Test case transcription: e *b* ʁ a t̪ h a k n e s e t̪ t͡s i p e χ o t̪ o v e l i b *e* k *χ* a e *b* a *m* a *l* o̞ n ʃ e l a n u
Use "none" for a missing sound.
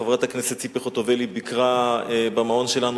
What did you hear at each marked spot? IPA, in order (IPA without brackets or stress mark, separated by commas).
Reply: v, i, ʁ, b, m, none